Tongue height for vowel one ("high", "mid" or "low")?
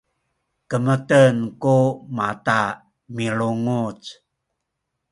mid